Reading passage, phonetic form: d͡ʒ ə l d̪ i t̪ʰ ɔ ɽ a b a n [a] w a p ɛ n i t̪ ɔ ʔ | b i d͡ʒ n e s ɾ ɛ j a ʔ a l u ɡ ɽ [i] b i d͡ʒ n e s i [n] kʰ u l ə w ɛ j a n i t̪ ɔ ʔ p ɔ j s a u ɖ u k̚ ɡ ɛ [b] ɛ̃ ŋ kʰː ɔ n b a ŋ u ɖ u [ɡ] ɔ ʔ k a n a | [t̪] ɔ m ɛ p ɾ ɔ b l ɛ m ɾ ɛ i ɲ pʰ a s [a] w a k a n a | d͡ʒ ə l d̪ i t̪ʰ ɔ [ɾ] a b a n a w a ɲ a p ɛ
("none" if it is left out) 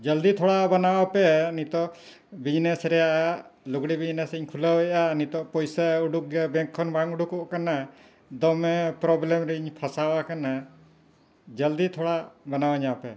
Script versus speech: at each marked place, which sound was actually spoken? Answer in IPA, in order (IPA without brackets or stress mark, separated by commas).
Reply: a, i, ɲ, b, k, d̪, a, ɽ